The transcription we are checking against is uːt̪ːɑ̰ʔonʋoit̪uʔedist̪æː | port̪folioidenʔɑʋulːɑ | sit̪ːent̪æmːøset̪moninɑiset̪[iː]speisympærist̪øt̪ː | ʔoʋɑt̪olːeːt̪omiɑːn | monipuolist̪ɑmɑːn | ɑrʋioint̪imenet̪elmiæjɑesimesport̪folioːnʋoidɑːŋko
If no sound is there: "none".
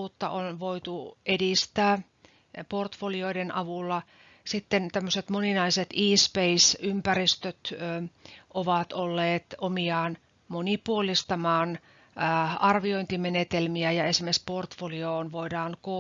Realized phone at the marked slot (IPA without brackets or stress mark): iː